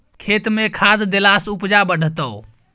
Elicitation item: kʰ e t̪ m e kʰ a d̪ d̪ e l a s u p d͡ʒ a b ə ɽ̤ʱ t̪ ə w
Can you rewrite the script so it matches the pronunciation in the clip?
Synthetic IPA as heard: kʰ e t̪ m e kʰ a d̪ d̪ e l a s u p d͡ʒ a b ə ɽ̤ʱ t̪ ə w